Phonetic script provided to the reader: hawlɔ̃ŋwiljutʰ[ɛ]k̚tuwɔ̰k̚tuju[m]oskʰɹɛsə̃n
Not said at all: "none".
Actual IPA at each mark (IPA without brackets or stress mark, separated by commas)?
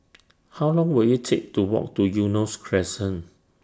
e, n